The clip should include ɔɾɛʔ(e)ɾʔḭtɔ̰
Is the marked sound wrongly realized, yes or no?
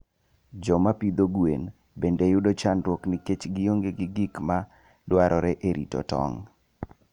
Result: no